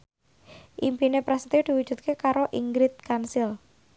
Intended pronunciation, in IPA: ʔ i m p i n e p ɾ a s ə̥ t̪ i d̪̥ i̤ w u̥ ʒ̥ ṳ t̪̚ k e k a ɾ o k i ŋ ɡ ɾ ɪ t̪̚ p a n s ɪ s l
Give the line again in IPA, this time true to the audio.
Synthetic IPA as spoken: ʔ i m p i n e p ɾ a s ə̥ t̪ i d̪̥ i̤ w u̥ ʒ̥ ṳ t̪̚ k e k a ɾ o ʔ i ŋ ɡ ɾ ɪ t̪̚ k a n s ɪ l